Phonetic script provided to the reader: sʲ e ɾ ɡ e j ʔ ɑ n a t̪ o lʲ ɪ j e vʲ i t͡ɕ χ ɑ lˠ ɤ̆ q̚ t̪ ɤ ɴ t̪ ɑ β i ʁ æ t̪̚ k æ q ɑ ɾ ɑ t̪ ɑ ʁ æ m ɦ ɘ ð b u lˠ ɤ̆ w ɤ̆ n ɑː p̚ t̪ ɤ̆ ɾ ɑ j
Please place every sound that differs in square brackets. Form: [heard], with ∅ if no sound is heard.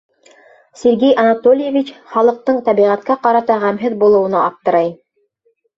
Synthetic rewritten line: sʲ e ɾ ɡ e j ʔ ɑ n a t̪ o lʲ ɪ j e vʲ i t͡ɕ χ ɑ lˠ ɤ̆ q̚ t̪ ɤ ɴ t̪ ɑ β i ʁ æ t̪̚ k æ q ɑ ɾ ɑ t̪ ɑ ʁ æ m ɦ ɘ ð b u lˠ ɤ̆ w ɤ̆ n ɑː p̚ t̪ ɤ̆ ɾ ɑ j

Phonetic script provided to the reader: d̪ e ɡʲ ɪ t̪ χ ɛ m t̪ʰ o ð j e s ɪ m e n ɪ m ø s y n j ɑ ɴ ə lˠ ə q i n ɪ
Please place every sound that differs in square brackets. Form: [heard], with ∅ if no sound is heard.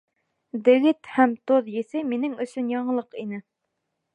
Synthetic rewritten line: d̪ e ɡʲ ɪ t̪ [h] ɛ m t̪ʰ o ð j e s ɪ m e n ɪ [ŋ] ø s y n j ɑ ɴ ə lˠ ə q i n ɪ

